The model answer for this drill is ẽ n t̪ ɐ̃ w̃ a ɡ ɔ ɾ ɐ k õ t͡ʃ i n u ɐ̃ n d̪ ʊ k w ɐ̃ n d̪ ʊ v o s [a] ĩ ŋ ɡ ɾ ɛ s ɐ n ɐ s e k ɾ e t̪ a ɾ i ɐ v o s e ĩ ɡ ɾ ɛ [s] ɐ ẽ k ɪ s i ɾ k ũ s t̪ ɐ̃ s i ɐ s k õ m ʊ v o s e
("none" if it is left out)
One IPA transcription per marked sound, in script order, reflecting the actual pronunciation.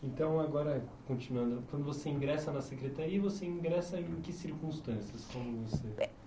e, s

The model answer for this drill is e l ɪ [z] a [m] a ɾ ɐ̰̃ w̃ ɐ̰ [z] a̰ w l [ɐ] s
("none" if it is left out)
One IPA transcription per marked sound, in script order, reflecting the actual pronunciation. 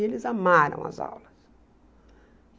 z, m, z, ɐ

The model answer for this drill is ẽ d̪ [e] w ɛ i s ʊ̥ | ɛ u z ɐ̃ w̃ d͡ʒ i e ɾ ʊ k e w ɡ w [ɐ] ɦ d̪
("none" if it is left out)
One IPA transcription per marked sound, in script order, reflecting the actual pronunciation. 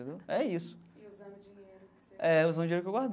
e, a

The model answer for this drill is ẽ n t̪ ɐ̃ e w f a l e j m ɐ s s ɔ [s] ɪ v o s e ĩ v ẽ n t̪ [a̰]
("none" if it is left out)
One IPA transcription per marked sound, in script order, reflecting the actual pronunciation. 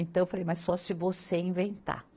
s, a̰

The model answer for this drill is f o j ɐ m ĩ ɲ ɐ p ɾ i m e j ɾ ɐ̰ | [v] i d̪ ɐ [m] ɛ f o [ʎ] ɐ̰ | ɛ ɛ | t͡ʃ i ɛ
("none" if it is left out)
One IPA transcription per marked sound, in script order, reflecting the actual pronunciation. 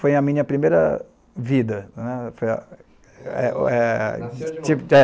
v, n, j

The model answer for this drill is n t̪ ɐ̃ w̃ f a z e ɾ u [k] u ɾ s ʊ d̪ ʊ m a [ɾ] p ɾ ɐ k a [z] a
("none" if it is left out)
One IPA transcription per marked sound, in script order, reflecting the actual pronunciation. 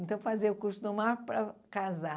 k, ɾ, z

